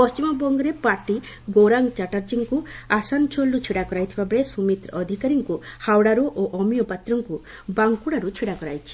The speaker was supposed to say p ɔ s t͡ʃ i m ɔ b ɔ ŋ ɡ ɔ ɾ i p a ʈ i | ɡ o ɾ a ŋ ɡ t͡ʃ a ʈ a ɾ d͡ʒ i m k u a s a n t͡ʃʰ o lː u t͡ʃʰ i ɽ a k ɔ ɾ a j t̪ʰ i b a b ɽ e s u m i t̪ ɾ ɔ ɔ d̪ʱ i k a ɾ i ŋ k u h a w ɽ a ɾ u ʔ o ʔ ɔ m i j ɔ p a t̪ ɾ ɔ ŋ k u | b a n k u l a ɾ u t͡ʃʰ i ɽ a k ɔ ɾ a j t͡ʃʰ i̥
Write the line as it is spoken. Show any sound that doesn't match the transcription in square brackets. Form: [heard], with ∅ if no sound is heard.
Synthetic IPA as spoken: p ɔ s t͡ʃ i m ɔ b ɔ ŋ ɡ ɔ ɾ [e] p a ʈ i | ɡ o ɾ a ŋ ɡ t͡ʃ a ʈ a ɾ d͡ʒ i [ŋ] k u a s a n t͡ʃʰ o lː u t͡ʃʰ i ɽ a k ɔ ɾ a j t̪ʰ i b a b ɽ e s u m i t̪ ɾ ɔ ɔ d̪ʱ i k a ɾ i ŋ k u h a w ɽ a ɾ u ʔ o ʔ ɔ m i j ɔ p a t̪ ɾ ɔ ŋ k u | b a [ŋ] k u [ɽ] a ɾ u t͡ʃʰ i ɽ a k ɔ ɾ a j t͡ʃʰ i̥